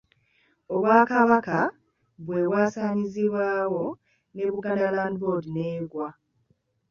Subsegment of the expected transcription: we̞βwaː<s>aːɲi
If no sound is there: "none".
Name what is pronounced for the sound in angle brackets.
s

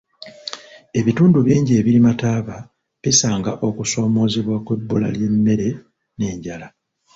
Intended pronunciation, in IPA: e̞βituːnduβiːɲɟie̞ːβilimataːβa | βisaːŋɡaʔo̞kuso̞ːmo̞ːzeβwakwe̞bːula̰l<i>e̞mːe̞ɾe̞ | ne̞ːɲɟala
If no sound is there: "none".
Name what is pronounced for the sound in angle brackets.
j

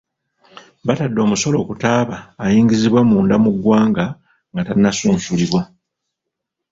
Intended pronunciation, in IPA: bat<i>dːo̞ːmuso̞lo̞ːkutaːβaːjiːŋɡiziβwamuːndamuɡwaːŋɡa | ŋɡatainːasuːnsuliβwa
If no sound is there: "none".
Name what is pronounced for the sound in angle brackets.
a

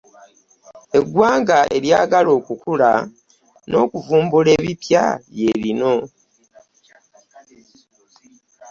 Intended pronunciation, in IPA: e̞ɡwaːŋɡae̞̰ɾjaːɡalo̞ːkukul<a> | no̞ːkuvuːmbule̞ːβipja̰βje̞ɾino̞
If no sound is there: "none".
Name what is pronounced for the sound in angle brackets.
a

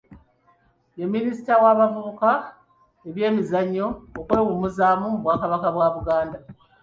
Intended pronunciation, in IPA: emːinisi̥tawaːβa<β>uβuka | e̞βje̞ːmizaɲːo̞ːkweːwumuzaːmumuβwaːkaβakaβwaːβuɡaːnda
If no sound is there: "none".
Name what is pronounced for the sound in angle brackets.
v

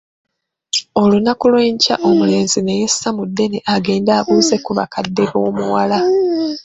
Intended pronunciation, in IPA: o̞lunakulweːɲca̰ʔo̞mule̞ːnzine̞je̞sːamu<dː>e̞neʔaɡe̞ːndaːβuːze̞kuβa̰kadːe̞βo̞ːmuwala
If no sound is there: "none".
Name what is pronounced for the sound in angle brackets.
dː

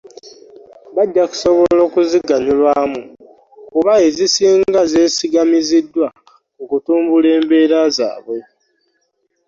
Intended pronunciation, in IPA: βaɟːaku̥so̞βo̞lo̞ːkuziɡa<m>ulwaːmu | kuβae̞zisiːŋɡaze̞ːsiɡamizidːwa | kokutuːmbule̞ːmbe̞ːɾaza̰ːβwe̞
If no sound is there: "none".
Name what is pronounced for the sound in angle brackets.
ɲ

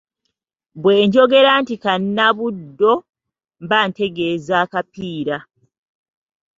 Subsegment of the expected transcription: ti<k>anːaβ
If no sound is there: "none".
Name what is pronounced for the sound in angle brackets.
k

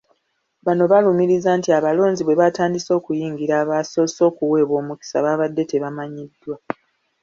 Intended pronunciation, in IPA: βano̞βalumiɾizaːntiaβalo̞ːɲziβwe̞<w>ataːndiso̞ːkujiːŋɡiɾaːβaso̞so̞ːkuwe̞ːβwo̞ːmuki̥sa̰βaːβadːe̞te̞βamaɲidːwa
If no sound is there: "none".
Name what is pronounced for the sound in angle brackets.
β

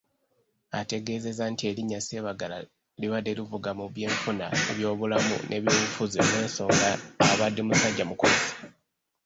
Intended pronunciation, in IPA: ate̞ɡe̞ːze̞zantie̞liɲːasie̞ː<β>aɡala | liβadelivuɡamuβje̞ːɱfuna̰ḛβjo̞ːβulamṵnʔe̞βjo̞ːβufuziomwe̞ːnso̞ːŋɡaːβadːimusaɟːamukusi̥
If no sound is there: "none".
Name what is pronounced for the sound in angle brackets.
β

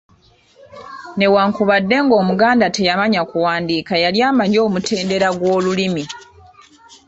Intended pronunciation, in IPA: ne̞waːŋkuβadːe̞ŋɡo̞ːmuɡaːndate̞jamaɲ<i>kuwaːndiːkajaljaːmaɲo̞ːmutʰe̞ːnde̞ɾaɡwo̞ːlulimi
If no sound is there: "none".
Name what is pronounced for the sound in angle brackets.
a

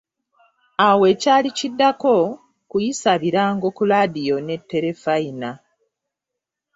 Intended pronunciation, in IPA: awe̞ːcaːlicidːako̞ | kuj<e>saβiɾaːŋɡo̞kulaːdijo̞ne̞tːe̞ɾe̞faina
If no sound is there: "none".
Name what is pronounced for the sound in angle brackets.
i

